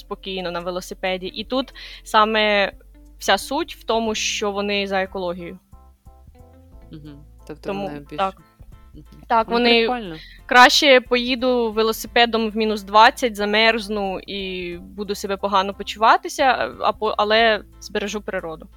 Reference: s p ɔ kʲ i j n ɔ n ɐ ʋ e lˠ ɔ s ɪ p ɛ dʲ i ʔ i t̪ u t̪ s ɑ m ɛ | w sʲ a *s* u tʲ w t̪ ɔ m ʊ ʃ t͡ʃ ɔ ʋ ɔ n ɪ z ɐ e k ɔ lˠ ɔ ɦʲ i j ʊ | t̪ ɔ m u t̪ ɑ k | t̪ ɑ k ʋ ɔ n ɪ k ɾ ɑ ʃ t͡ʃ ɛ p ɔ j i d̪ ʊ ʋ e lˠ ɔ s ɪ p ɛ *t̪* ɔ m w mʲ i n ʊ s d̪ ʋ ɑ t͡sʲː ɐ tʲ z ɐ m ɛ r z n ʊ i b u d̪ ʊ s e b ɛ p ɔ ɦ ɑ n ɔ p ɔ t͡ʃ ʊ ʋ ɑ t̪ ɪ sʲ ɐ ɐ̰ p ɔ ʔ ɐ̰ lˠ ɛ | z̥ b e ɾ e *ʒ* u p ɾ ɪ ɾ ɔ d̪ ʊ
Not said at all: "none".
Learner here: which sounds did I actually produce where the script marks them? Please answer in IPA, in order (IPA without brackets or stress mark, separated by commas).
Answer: s, d̪, ʒ